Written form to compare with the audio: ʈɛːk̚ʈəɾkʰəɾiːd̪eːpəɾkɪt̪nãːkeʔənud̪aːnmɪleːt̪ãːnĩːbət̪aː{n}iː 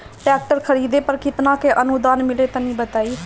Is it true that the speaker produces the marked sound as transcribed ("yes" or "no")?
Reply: no